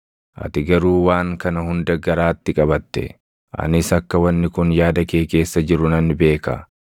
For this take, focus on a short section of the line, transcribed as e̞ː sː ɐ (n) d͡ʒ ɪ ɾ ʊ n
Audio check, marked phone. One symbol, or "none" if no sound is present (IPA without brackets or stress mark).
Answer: none